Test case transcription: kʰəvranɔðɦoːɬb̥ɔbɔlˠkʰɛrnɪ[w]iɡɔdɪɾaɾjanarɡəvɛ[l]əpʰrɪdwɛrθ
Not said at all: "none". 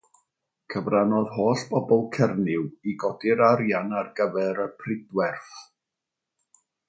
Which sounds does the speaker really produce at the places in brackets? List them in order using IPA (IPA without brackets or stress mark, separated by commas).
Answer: w, ɾ